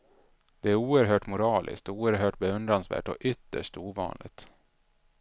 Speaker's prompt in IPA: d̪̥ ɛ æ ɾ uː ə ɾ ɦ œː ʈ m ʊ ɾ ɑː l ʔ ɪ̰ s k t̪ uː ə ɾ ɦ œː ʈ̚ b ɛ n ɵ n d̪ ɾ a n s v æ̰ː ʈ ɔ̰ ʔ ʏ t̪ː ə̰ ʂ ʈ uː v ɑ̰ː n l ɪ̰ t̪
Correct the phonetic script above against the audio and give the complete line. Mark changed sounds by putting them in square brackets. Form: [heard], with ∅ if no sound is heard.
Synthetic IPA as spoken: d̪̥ ɛ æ ɾ uː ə ɾ ɦ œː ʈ m ʊ ɾ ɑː l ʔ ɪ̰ s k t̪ uː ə ɾ ɦ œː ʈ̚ b ɛ [∅] ɵ n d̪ ɾ a n s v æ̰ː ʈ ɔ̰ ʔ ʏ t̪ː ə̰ ʂ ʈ uː v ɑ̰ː n l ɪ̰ t̪